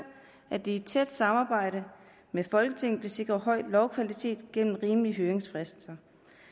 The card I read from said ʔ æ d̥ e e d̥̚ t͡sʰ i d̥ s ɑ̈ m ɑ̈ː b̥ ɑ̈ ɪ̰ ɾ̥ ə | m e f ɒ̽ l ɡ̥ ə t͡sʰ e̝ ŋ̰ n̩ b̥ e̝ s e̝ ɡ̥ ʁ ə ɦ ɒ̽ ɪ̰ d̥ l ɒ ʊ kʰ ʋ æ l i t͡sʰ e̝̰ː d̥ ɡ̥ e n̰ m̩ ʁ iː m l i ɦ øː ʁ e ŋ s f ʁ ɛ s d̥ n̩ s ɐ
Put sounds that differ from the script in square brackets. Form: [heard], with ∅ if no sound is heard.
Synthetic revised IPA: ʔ æ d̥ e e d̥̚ t͡sʰ [e] d̥ s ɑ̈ m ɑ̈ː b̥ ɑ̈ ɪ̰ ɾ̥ ə | m e f ɒ̽ l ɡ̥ ə t͡sʰ e̝ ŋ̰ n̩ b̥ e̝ s e̝ ɡ̥ ʁ [ɐ] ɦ ɒ̽ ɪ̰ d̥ l ɒ ʊ kʰ ʋ æ l i t͡sʰ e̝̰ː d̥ ɡ̥ e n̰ m̩ ʁ iː m l i ɦ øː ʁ e ŋ s f ʁ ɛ s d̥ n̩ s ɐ

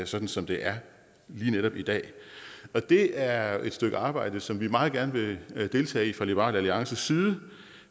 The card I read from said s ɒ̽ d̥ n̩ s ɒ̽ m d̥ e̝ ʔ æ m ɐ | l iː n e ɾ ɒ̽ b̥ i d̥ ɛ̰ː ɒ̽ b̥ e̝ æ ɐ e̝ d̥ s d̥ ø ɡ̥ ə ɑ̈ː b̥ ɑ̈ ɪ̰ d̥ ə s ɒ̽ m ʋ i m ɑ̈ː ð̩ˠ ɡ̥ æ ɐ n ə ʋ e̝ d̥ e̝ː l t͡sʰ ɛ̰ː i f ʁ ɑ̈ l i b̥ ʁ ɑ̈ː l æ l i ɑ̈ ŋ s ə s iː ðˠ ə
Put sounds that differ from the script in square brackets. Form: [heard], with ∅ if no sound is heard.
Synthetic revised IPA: s ɒ̽ d̥ n̩ s ɒ̽ m d̥ e̝ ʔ æ [∅] ɐ | l iː n e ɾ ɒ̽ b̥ i d̥ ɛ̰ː ɒ̽ [d̥] e̝ æ ɐ e̝ d̥ s d̥ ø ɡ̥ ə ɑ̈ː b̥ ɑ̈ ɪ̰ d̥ ə s ɒ̽ m ʋ i m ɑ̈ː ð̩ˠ ɡ̥ æ ɐ n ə ʋ e̝ d̥ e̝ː l t͡sʰ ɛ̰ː i f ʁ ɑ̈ l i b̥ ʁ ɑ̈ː l æ l i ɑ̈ ŋ s ə s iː ðˠ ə

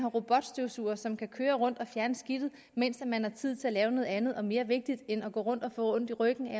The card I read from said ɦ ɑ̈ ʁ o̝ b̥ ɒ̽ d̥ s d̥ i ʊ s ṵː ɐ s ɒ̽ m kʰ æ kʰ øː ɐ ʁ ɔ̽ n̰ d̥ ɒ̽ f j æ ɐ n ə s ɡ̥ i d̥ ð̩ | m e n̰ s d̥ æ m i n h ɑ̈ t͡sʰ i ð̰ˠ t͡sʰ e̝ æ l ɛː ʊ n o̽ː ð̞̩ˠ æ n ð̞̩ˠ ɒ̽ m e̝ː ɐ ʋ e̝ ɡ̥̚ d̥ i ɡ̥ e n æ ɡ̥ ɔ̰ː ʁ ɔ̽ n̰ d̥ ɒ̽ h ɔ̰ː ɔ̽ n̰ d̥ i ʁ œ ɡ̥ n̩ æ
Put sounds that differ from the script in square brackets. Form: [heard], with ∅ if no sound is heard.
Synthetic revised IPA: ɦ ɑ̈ ʁ o̝ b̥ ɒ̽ d̥ s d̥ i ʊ s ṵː ɐ s ɒ̽ m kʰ æ kʰ øː ɐ ʁ ɔ̽ n̰ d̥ ɒ̽ f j æ ɐ n ə s ɡ̥ i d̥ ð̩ | m e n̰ s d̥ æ m [æ] n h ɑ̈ t͡sʰ i ð̰ˠ t͡sʰ e̝ æ l ɛː ʊ n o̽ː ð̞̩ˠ æ n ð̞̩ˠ ɒ̽ m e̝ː ɐ ʋ e̝ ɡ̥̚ d̥ i [d̥] e n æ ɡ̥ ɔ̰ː ʁ ɔ̽ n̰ d̥ ɒ̽ [f] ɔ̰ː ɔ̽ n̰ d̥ i ʁ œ ɡ̥ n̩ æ

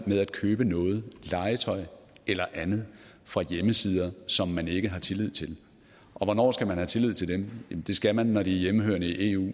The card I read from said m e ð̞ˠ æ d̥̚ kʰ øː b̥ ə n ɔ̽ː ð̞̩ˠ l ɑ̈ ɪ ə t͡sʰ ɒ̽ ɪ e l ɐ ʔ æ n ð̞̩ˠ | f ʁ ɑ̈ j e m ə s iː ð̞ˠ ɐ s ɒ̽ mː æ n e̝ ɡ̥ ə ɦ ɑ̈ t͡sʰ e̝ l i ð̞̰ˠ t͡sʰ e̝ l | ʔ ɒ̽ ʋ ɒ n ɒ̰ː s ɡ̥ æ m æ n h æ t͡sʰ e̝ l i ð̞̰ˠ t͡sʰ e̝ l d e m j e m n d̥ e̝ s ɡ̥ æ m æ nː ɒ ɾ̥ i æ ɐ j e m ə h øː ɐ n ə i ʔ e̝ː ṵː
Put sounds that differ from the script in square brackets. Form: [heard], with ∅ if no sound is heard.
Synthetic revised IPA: m e ð̞ˠ æ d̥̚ kʰ øː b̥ ə n ɔ̽ː ð̞̩ˠ l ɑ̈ ɪ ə t͡sʰ ɒ̽ ɪ e l ɐ ʔ æ n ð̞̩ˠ | f ʁ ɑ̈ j e m ə s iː ð̞ˠ ɐ s ɒ̽ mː æ n e̝ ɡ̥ ə ɦ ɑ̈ t͡sʰ e̝ l i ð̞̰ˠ t͡sʰ e̝ l | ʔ ɒ̽ ʋ ɒ n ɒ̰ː s ɡ̥ æ m æ n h æ t͡sʰ e̝ l i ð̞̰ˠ t͡sʰ e̝ l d e m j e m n d̥ e̝ s ɡ̥ æ m æ nː ɒ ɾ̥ i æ ɐ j e m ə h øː ɐ n ə i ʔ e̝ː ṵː

